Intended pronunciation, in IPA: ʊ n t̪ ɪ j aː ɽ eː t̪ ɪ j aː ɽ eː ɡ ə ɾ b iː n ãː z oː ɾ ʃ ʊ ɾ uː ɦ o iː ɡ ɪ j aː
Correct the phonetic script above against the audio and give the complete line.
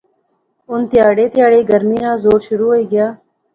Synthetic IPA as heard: ʊ n t̪ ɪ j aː ɽ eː t̪ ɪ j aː ɽ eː ɡ ə ɾ m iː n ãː z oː ɾ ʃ ʊ ɾ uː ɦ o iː ɡ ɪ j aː